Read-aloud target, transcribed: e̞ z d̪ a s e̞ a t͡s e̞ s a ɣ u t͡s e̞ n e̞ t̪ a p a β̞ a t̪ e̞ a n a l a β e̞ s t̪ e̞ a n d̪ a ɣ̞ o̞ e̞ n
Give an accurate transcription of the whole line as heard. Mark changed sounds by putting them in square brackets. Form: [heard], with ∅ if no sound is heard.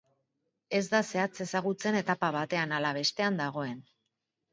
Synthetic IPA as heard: e̞ z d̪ a s e̞ a t͡s e̞ s a ɣ u t͡s e̞ n e̞ t̪ a p a β̞ a t̪ e̞ a n a l a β e̞ s t̪ e̞ a n d̪ a ɣ̞ o̞ e̞ n